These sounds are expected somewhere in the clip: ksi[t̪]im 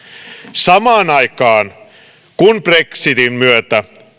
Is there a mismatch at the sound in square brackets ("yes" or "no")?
no